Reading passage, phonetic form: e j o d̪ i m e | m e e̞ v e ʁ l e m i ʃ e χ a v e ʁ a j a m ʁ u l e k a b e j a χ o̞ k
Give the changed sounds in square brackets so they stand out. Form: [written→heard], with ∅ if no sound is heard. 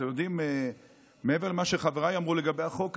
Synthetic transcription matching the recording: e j o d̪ i m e | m e e̞ v e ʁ l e m [i→a] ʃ e χ a v e ʁ a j a m ʁ u l e [k→ɡ] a b e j a χ o̞ k